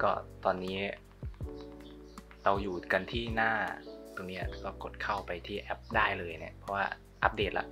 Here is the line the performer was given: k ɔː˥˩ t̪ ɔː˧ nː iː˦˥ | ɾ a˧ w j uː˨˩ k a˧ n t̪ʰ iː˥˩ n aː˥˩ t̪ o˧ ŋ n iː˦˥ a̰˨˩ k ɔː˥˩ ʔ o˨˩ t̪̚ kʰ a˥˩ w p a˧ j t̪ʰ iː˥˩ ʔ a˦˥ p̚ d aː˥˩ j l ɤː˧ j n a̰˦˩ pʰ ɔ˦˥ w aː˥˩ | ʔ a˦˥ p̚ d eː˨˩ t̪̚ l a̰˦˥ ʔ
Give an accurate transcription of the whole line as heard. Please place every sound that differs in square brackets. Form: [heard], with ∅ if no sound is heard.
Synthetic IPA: k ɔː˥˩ t̪ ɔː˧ nː iː˦˥ | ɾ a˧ w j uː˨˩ k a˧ n t̪ʰ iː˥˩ n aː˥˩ t̪ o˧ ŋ n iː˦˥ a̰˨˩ k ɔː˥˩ [k] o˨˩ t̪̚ kʰ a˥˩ w p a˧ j t̪ʰ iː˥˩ ʔ [ɛ˦˥] p̚ d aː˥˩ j l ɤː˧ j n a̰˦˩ pʰ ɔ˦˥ w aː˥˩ | ʔ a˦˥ p̚ d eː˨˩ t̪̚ l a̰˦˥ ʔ